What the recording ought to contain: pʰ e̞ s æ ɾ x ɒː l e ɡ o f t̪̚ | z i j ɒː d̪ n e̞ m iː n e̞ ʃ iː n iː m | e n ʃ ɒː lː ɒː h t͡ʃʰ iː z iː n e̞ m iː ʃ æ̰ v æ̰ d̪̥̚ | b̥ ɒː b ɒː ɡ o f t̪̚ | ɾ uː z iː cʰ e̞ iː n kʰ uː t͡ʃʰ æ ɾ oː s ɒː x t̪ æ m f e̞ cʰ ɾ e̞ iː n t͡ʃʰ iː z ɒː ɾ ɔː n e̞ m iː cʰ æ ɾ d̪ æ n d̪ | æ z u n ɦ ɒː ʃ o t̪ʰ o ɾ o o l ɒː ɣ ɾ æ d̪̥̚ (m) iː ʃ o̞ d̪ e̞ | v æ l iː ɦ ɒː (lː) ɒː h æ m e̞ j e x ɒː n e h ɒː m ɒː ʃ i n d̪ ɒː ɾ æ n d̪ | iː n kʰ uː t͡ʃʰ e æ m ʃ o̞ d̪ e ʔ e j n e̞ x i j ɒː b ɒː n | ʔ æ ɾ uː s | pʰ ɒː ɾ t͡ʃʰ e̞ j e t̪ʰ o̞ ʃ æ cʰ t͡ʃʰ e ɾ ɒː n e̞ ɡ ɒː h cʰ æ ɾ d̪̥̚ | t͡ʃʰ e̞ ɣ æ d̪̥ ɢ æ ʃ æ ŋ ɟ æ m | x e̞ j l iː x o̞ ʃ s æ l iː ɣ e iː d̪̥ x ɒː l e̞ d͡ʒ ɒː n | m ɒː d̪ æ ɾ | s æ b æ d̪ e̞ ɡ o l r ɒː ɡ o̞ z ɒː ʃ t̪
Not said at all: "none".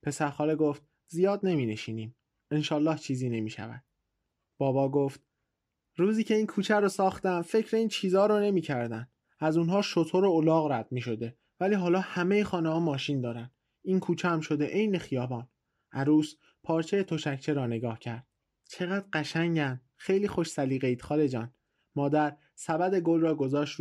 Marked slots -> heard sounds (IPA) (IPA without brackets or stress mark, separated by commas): m, l